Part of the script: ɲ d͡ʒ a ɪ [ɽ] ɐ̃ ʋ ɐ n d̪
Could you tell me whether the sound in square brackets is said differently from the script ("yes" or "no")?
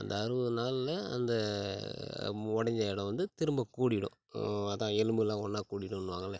no